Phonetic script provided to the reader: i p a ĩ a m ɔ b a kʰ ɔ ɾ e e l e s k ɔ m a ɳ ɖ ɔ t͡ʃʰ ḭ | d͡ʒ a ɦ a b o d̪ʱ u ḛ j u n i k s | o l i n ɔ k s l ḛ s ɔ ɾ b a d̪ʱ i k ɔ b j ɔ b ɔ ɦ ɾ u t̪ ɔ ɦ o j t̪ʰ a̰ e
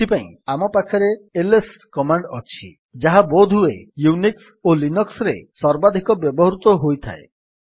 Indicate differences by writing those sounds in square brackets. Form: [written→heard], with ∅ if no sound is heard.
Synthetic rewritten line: i p a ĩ a m ɔ [b→p] a kʰ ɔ ɾ e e l e s k ɔ m a ɳ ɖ ɔ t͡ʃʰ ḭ | d͡ʒ a ɦ a b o d̪ʱ u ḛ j u n i k s | o l i n ɔ k s [l→ɾ] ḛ s ɔ ɾ b a d̪ʱ i k ɔ b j ɔ b ɔ ɦ ɾ u t̪ ɔ ɦ o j t̪ʰ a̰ e